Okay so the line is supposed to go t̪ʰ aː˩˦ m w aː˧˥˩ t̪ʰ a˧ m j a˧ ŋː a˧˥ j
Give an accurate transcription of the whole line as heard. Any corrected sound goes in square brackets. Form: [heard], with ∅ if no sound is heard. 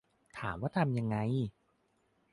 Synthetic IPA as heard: t̪ʰ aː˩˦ m w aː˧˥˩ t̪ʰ a˧ m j a˧ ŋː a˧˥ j